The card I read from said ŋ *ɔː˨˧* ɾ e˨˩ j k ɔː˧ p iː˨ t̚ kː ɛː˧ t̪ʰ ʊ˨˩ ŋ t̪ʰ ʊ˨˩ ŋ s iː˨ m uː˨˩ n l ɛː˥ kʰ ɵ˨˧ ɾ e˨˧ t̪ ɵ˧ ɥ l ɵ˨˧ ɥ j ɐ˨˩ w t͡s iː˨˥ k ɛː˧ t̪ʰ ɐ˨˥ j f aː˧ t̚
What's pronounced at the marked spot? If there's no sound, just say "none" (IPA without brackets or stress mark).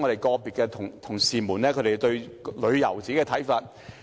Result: ɔ˨˧